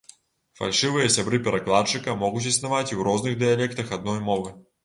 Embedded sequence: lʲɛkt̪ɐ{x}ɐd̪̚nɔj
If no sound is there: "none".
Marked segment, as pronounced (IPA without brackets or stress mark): x